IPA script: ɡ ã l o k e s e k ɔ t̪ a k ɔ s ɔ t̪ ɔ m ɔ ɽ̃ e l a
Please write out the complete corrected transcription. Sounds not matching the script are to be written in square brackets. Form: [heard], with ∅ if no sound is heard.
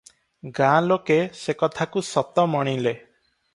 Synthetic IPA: ɡ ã l o k e s e k ɔ [t̪ʰ] a k [u] s ɔ t̪ ɔ m ɔ ɽ̃ [i] l [e]

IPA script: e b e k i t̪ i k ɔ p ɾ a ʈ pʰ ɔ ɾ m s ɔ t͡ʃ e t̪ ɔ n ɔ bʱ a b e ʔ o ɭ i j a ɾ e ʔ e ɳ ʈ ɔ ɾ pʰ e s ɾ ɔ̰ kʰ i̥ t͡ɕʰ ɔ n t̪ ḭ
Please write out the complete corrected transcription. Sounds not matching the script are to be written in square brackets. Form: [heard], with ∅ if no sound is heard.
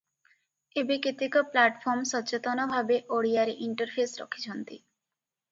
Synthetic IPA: e b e k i t̪ i k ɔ p [l] a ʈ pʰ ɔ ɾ m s ɔ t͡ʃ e t̪ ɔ n ɔ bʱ a b e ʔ o [ɽ] i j a ɾ e ʔ [i] ɳ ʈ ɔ ɾ pʰ e s ɾ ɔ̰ kʰ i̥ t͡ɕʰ ɔ n t̪ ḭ

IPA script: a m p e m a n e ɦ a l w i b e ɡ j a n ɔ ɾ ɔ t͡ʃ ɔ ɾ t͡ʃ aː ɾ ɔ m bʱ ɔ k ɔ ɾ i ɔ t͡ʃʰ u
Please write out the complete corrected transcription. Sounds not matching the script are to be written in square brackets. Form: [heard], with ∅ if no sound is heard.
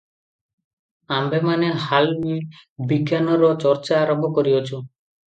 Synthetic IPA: a m [b] e m a n e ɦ a l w i b [i] ɡ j a n ɔ ɾ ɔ t͡ʃ ɔ ɾ t͡ʃ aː ɾ ɔ m bʱ ɔ k ɔ ɾ i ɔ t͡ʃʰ u

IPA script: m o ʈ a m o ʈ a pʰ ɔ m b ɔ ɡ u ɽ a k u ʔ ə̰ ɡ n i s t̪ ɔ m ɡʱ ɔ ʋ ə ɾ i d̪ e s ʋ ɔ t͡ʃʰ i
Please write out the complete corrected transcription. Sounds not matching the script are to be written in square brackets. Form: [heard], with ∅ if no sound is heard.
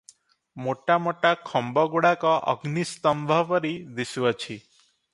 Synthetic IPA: m o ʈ a m o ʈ a [kʰ] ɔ m b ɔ ɡ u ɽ a k [ɔ] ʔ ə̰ ɡ n i s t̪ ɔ m [bʱ] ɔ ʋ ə ɾ i d̪ [i] s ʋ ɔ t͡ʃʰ i

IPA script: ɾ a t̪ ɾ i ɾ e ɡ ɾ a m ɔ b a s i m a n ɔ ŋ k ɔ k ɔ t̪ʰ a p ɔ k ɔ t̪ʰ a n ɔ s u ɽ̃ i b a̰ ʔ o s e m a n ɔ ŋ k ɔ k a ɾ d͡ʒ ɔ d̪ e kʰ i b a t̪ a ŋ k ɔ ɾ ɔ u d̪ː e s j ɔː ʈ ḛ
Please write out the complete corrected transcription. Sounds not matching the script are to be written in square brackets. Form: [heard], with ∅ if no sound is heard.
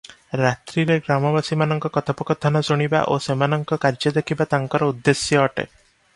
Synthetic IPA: ɾ a t̪ ɾ i ɾ e ɡ ɾ a m ɔ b a s i m a n ɔ ŋ k ɔ k ɔ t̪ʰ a p ɔ k ɔ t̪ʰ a n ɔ s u ɽ̃ i b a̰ ʔ o s e m a n ɔ ŋ k ɔ k a ɾ d͡ʒ ɔ d̪ e kʰ i b a t̪ a ŋ k ɔ ɾ ɔ u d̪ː e s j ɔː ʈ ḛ

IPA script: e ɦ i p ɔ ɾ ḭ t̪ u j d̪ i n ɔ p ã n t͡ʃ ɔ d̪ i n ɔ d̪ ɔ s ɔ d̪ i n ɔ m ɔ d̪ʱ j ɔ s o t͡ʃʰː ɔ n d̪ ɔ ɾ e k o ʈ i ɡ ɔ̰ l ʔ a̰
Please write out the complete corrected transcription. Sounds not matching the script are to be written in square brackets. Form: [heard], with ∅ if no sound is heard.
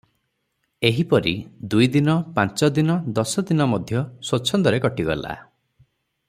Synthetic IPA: e ɦ i p ɔ ɾ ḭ [d̪] u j d̪ i n ɔ p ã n t͡ʃ ɔ d̪ i n ɔ d̪ ɔ s ɔ d̪ i n ɔ m ɔ d̪ʱ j ɔ s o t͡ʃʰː ɔ n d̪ ɔ ɾ e k [ɔ] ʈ i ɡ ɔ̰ l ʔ a̰

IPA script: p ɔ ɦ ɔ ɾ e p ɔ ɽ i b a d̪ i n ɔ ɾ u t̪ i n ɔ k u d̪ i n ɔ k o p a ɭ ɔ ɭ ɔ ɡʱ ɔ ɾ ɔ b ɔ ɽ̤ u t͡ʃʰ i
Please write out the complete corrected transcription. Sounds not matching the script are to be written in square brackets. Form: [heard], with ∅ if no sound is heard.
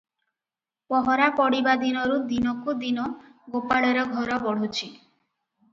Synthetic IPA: p ɔ ɦ ɔ ɾ [a] p ɔ ɽ i b a d̪ i n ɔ ɾ u [d̪] i n ɔ k u d̪ i n ɔ [ɡ] o p a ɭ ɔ [ɾ] ɔ ɡʱ ɔ ɾ ɔ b ɔ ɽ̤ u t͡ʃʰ i

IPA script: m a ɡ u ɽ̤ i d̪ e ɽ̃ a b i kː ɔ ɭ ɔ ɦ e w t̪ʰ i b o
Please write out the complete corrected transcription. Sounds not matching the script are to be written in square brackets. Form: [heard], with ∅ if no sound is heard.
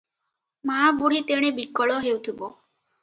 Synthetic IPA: m a [b] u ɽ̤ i [t̪] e ɽ̃ [e] b i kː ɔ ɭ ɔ ɦ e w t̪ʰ i b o

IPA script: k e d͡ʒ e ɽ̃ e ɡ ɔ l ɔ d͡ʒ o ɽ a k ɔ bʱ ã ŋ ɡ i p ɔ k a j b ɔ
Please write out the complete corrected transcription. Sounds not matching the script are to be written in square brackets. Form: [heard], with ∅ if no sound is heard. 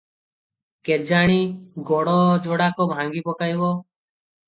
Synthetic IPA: k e d͡ʒ [a] ɽ̃ [i] ɡ ɔ [ɽ] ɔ d͡ʒ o ɽ a k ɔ bʱ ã ŋ ɡ i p ɔ k a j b ɔ

